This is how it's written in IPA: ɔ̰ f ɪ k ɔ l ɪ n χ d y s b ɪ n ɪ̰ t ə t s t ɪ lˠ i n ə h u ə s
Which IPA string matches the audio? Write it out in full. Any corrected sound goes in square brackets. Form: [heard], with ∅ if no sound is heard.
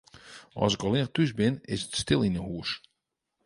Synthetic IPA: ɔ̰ [s] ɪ k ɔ l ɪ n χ [t] y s b ɪ n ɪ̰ [s] ə t s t ɪ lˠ i n ə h u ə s